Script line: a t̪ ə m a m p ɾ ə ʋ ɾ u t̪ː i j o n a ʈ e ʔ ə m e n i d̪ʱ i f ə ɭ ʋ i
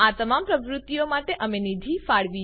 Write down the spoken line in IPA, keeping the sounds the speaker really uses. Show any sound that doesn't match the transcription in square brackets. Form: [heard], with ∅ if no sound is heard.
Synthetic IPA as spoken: a t̪ ə m a m p ɾ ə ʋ ɾ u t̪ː i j o [m] a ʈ e ʔ ə m e n i d̪ʱ i f [a] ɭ ʋ i